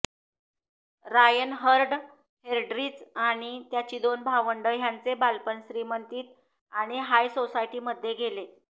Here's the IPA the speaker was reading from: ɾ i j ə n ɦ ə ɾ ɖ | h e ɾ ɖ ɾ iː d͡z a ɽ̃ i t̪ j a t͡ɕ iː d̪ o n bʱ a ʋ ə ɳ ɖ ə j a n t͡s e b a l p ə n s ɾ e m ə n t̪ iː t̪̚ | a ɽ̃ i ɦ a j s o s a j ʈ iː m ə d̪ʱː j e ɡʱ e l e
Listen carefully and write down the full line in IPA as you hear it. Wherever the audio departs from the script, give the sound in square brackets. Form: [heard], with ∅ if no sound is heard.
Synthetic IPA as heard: ɾ [a] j ə n ɦ ə ɾ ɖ | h e ɾ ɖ ɾ iː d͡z a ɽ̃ i t̪ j a t͡ɕ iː d̪ o n bʱ a ʋ ə ɳ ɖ ə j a n t͡s e b a l p ə n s ɾ [i] m ə n t̪ iː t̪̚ | a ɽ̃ i ɦ a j s o s a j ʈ iː m ə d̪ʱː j e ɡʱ e l e